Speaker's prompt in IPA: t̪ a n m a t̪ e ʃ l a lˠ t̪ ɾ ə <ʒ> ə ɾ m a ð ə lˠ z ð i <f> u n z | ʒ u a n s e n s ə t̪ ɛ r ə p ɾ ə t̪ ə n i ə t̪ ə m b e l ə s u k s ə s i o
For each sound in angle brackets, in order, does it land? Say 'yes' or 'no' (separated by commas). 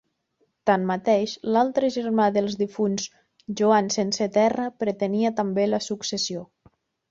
yes, yes